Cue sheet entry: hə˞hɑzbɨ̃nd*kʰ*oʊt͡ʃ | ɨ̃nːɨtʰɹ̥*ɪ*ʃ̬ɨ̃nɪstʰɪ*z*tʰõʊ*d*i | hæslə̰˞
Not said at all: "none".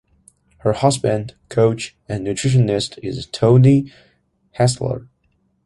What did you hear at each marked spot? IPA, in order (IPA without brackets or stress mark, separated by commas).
kʰ, ɪ, z, n